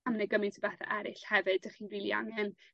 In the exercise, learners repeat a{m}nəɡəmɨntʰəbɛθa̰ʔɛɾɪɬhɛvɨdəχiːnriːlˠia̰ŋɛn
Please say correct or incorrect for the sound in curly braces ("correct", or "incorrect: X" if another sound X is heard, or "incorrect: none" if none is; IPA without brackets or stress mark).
correct